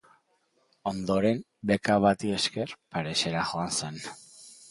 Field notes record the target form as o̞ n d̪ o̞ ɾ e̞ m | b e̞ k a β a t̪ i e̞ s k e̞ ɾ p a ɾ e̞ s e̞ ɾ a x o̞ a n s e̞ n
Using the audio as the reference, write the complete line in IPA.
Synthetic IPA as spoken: o̞ n d̪ o̞ ɾ e̞ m | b e̞ k a β a t̪ i e̞ s k e̞ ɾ p a ɾ e̞ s e̞ ɾ a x o̞ a n s e̞ n